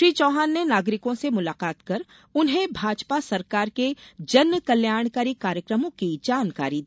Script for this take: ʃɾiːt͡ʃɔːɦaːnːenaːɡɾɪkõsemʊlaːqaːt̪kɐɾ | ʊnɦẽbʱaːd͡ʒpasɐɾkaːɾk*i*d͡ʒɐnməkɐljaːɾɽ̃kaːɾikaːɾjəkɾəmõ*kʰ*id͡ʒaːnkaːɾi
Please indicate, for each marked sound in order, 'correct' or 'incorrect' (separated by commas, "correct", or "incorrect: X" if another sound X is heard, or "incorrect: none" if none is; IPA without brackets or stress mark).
incorrect: e, incorrect: k